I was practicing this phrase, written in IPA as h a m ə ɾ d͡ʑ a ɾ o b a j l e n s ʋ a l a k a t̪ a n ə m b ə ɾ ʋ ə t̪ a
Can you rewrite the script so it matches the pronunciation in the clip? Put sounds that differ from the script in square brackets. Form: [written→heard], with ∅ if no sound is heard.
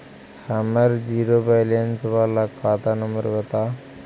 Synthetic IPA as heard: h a m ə ɾ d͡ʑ [a→i] ɾ o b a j l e n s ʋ a l a k a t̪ a n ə m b ə ɾ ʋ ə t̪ a